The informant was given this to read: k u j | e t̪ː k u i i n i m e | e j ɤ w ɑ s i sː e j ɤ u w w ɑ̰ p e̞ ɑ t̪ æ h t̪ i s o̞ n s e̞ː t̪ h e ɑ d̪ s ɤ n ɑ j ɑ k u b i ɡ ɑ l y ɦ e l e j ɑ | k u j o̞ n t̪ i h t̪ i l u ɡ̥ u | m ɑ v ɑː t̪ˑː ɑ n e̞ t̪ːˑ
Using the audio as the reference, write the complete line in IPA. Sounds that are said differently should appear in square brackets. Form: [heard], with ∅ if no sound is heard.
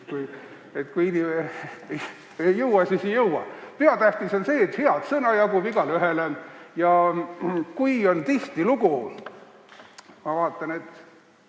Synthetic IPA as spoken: k u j | e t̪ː k u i i n i m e | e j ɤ w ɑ s i [s] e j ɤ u w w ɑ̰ p e̞ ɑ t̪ æ h t̪ i s o̞ n s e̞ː t̪ h e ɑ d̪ s ɤ n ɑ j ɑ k u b i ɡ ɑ l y ɦ e l e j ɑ | k u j o̞ n t̪ i h t̪ i l u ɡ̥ u | m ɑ v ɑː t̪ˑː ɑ n e̞ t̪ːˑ

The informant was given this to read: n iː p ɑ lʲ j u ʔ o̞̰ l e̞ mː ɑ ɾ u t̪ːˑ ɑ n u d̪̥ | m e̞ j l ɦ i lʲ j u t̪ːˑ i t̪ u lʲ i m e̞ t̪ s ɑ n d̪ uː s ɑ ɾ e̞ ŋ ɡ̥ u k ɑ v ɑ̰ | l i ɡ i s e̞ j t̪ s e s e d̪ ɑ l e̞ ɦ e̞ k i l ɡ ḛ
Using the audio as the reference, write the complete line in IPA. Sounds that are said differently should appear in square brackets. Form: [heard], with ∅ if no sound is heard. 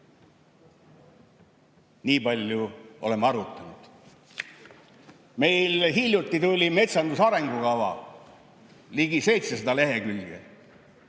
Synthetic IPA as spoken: n iː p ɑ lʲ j u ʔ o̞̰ l e̞ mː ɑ ɾ u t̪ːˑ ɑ n u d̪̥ | m e̞ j l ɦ i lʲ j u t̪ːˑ i t̪ u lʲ i m e̞ t̪ s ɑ n d̪ [u] s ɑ ɾ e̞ ŋ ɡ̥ u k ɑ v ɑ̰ | l i ɡ i s e̞ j t̪ s e s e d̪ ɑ l e̞ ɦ e̞ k [y] l ɡ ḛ

